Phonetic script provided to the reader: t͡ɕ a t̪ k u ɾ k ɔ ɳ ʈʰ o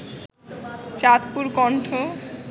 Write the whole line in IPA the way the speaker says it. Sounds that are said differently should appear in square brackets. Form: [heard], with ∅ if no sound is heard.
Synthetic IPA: t͡ɕ a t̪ [p] u ɾ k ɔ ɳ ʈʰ o